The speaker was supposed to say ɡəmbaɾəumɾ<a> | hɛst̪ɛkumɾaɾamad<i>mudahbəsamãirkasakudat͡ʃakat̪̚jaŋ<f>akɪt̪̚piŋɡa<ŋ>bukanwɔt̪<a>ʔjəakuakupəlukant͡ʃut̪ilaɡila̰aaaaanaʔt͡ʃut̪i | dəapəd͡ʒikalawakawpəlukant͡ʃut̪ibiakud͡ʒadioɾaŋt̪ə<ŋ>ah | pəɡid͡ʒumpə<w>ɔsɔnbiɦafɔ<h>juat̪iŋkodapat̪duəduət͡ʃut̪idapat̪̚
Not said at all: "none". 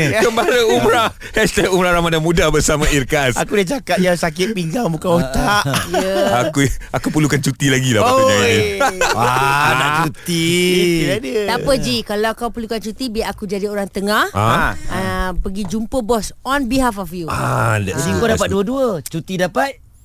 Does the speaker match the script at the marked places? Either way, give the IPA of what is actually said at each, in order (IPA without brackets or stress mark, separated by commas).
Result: a, a, s, ŋ, a, ŋ, b, f